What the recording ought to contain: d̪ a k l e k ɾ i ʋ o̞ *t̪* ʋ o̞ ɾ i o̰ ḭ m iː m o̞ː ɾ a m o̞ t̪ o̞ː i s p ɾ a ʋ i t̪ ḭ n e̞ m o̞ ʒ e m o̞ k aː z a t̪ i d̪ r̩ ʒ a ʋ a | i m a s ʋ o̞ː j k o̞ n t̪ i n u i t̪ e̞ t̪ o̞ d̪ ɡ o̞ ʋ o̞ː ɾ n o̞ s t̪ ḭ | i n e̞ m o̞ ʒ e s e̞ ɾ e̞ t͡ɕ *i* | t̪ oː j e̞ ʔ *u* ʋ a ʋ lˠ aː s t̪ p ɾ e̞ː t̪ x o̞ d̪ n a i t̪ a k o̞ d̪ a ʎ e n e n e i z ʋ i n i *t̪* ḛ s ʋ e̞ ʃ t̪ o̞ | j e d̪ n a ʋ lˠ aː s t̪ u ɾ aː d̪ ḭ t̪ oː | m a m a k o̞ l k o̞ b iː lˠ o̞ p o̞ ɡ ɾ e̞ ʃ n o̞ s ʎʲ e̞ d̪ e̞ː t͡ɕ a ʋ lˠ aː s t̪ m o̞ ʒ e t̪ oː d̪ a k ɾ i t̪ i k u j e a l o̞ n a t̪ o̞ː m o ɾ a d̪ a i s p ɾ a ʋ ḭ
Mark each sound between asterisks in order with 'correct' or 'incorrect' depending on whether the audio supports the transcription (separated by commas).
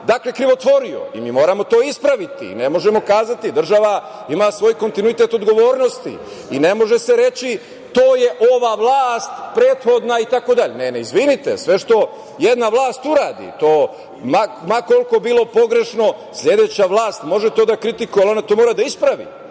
correct, correct, incorrect, correct